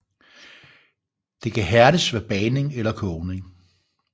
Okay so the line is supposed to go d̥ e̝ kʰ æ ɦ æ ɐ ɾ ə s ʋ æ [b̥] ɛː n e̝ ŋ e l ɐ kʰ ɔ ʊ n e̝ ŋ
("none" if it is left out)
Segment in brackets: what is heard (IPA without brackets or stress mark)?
b̥